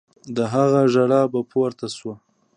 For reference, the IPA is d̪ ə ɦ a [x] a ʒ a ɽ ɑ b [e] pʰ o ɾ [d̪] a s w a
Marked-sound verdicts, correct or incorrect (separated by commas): incorrect, incorrect, incorrect